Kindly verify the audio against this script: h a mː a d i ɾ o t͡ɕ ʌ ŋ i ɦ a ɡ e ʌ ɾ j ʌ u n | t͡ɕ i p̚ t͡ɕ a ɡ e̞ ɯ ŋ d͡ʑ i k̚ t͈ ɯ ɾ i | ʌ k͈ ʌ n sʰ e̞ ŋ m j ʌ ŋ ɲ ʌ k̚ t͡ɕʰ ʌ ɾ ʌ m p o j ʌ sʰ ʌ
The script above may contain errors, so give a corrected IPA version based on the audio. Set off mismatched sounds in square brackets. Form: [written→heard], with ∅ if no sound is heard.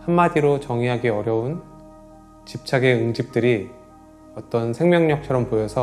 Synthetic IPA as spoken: h a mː a d i ɾ o t͡ɕ ʌ ŋ i ɦ a ɡ e ʌ ɾ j ʌ u n | t͡ɕ i p̚ [t͡ɕ→t͡ɕʰ] a ɡ e̞ ɯ ŋ d͡ʑ i [k̚→p̚] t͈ ɯ ɾ i | ʌ [k͈→t͈] ʌ n sʰ e̞ ŋ m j ʌ ŋ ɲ ʌ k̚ t͡ɕʰ ʌ ɾ ʌ m p o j ʌ sʰ ʌ